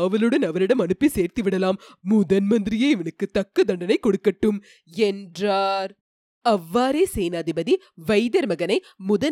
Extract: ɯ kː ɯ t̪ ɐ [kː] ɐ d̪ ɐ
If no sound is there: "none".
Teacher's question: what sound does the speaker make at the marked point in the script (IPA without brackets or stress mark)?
kː